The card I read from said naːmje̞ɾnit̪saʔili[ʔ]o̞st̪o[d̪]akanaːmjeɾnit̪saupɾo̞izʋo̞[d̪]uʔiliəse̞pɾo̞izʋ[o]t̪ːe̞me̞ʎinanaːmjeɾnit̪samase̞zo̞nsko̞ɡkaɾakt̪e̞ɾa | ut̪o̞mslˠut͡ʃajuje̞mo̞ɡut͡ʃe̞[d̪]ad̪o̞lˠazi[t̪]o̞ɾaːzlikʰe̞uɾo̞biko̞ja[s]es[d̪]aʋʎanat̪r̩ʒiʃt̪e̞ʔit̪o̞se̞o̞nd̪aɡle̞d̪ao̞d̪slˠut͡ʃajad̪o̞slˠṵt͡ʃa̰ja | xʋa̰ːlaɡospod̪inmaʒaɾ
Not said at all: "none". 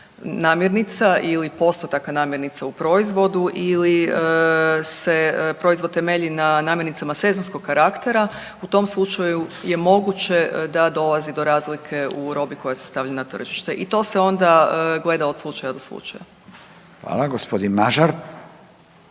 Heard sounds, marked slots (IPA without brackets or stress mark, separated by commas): p, t̪, d̪, o, d̪, d̪, s, t̪